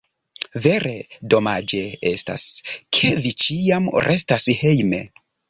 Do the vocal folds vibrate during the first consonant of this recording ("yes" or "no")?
yes